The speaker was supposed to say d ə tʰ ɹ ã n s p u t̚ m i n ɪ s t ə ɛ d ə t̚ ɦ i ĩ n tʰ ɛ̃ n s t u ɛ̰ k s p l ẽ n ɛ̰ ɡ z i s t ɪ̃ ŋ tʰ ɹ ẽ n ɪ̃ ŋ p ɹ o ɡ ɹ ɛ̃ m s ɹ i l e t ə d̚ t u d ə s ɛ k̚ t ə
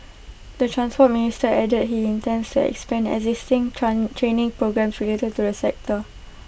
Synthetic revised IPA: d ə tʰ ɹ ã n s p ɔ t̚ m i n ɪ s t ə ɛ d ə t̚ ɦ i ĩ n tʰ ɛ̃ n s t u ɛ̰ k s p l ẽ n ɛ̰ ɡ z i s t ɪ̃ ŋ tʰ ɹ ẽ n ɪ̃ ŋ p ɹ o ɡ ɹ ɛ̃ m s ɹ i l e t ə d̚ t u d ə s ɛ k̚ t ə

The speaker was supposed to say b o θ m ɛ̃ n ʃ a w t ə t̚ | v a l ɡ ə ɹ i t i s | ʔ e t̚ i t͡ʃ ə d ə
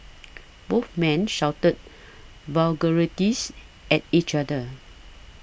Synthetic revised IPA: b o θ m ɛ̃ n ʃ a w t ə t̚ | v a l ɡ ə ɹ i t i s | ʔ ɛ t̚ i t͡ʃ a d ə

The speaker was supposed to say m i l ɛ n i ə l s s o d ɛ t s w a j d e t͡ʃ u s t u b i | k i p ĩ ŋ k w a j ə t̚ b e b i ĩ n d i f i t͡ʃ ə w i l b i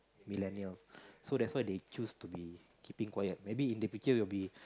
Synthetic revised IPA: m i l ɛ n i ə l s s o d ɛ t s w a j d e t͡ʃ u s t u b i | k i p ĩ ŋ k w a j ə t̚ m e b i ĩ n d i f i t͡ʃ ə w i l b i

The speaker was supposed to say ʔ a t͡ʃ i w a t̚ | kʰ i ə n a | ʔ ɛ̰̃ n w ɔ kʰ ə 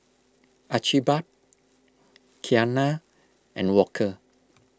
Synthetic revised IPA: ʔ a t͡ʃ i b a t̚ | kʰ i a n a | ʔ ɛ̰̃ n w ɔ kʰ ə

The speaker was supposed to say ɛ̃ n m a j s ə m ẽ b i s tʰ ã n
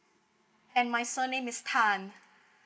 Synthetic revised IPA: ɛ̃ n m a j s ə n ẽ m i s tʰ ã n

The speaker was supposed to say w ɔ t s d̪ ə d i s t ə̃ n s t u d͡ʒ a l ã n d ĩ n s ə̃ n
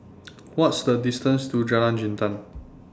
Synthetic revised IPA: w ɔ t s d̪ ə d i s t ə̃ n s t u d͡ʒ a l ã n d͡ʒ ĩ n t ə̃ n

